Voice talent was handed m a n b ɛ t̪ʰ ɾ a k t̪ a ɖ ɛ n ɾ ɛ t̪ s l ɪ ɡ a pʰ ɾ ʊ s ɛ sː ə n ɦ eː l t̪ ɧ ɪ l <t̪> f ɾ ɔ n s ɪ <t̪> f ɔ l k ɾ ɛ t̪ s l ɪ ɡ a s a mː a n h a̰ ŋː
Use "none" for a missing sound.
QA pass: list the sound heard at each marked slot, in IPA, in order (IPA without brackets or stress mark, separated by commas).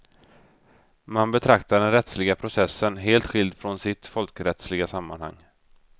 d̪, t̪